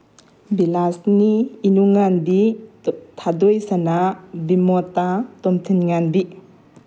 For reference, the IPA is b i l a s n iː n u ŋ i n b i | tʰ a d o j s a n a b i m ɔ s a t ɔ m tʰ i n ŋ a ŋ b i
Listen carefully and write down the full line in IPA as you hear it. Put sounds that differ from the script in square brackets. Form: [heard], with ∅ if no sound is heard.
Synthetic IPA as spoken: b i l a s n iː n u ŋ [a] n b i | tʰ a d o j s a n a b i m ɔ [t] a t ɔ m tʰ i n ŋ a [n] b i

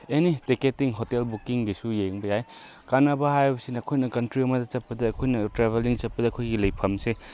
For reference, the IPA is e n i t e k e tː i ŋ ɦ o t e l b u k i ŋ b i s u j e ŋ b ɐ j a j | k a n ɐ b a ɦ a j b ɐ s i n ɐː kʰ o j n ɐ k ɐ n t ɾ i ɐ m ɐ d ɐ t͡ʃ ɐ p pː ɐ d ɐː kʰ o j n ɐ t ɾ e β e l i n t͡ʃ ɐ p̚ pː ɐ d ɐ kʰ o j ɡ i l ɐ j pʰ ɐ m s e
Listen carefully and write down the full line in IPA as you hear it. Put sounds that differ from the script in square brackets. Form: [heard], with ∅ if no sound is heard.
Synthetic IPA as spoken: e n i t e k e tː i ŋ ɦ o t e l b u k i ŋ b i s u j e ŋ b ɐ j a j | k a n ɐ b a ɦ a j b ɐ s i n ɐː kʰ o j n ɐ k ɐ n t ɾ i ɐ m ɐ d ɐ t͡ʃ ɐ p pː ɐ d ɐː kʰ o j n ɐ t ɾ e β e l i [ŋ] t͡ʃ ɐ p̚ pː ɐ d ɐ kʰ o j ɡ i l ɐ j pʰ ɐ m s e

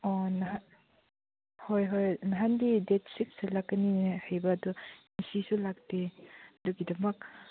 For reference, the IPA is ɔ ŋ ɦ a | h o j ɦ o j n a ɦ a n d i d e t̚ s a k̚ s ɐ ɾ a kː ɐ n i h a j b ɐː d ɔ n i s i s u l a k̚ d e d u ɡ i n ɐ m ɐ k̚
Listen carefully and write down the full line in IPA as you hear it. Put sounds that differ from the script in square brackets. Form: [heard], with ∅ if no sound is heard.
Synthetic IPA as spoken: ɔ [n] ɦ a | h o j ɦ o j n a ɦ a n d i d e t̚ s [i] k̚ s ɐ [l] a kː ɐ n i h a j b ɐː d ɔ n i s i s u l a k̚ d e d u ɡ i [d] ɐ m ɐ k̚

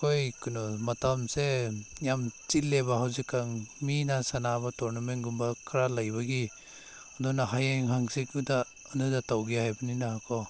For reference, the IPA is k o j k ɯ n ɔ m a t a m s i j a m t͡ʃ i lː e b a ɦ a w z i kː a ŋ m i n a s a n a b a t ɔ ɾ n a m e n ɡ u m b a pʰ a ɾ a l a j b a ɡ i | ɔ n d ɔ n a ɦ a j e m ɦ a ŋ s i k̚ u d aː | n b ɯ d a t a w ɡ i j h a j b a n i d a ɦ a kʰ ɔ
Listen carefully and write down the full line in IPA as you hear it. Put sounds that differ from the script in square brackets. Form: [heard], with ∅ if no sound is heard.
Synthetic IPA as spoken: k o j k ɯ n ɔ m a t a m s [e] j a m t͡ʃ i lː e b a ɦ a w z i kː a ŋ m i n a s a n a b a t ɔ ɾ n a m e n ɡ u m b a [kʰ] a ɾ a l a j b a ɡ i | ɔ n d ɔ n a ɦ a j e [ŋ] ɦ a ŋ s i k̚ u d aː | n [d] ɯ d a t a w ɡ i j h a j b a n i [n] a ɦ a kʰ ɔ

